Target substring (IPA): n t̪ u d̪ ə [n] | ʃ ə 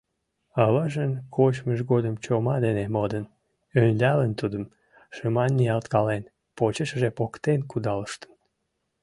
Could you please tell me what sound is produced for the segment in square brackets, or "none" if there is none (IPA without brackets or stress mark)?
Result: m